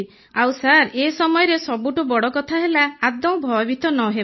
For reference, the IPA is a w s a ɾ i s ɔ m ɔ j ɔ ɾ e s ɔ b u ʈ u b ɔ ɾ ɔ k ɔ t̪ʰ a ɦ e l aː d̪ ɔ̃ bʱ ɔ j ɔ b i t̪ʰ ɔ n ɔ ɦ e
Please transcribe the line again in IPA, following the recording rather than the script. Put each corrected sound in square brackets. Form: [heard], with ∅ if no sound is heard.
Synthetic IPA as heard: a w s a ɾ [e] s ɔ m ɔ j ɔ ɾ e s ɔ b u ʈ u b ɔ [ɽ] ɔ k ɔ t̪ʰ a ɦ e l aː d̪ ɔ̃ bʱ ɔ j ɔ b i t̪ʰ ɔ n ɔ ɦ e